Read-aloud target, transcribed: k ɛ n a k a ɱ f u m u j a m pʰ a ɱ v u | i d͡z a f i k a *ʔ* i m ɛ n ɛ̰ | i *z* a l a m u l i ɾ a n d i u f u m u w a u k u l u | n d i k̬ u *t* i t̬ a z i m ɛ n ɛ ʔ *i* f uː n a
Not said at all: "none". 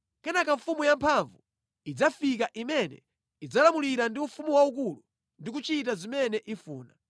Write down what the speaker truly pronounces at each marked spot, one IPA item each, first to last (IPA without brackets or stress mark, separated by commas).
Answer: ʔ, d͡z, t͡ʃ, i